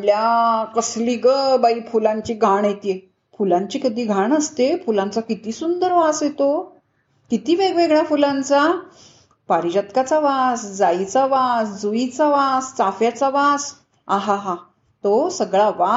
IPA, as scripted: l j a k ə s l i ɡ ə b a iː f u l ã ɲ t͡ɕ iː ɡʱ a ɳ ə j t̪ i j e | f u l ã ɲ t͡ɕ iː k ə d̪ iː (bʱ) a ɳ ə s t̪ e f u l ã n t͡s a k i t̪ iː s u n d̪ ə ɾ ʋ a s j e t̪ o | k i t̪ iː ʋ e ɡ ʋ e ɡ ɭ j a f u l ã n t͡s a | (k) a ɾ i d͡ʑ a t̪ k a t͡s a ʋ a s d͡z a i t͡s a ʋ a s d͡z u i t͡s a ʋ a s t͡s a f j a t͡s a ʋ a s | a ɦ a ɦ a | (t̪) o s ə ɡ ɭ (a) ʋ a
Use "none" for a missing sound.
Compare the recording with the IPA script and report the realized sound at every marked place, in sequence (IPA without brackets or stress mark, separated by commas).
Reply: ɡʱ, p, t̪, a